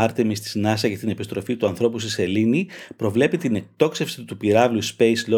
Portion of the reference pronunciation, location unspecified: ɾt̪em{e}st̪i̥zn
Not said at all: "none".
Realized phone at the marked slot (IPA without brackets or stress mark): i